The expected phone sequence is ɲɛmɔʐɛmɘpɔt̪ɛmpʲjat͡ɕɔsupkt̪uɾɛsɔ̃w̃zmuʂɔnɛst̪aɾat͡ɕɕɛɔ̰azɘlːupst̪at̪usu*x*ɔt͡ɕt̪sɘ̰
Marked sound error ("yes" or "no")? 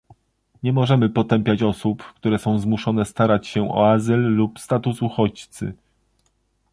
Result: no